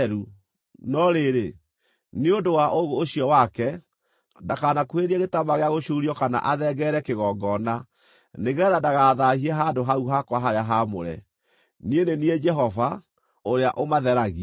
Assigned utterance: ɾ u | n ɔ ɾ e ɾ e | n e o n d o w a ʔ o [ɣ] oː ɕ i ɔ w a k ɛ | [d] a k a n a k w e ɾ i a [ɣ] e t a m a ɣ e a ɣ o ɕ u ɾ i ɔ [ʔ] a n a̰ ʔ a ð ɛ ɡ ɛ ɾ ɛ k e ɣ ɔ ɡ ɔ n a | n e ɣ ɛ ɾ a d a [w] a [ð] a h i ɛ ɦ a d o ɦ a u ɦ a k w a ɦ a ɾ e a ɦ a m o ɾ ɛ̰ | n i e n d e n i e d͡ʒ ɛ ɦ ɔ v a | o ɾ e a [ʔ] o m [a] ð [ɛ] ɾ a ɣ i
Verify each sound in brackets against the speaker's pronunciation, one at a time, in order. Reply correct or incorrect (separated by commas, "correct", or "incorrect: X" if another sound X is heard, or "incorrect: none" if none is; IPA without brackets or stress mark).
correct, correct, correct, incorrect: k, incorrect: ɣ, correct, correct, correct, correct